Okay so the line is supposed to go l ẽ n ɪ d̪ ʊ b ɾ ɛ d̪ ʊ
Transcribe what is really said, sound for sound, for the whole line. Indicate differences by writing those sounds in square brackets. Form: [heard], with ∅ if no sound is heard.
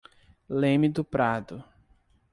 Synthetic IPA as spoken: l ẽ [m] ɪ d̪ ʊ [p] ɾ [a] d̪ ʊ

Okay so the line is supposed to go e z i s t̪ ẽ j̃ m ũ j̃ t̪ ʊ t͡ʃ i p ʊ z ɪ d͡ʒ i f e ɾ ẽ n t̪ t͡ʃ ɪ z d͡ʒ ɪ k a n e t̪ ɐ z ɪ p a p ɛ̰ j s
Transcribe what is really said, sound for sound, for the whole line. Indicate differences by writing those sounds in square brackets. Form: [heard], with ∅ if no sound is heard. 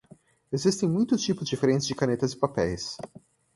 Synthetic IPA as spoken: e z i s t̪ ẽ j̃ m ũ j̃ t̪ ʊ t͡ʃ i p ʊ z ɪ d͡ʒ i f e ɾ ẽ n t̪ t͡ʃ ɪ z d͡ʒ ɪ k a n e t̪ ɐ z ɪ p a p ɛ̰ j s

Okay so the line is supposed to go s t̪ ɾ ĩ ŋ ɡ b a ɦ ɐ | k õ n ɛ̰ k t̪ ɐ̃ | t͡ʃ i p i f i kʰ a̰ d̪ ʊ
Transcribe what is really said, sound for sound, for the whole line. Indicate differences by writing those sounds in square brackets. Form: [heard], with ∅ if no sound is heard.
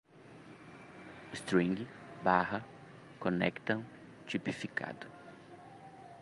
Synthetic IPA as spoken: s t̪ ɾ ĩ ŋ ɡ b a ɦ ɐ | k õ n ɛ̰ k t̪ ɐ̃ | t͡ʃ i p i f i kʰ a̰ d̪ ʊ

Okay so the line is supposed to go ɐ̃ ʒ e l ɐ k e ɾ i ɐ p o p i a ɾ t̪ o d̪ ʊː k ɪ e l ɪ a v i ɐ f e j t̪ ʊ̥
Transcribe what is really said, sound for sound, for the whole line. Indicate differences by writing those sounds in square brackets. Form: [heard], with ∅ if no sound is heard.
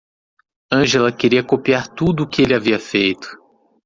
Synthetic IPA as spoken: ɐ̃ ʒ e l ɐ k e ɾ i ɐ [k] o p i a ɾ t̪ [u] d̪ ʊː k ɪ e l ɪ a v i ɐ f e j t̪ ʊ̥

